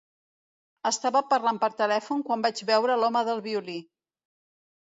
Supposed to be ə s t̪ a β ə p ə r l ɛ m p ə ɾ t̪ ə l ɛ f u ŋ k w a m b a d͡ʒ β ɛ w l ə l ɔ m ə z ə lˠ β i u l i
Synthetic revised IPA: ə s t̪ a β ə p ə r l a m p ə ɾ t̪ ə l ɛ f u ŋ k w a m b a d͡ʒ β ɛ w ɾ ə l ɔ m ə ð ə lˠ β i u l i